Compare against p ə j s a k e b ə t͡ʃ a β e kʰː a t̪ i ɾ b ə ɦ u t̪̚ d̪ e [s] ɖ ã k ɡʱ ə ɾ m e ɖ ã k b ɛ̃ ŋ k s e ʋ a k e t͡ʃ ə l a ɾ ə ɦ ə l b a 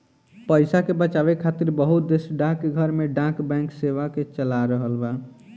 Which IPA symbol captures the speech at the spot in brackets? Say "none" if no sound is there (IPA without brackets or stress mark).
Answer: s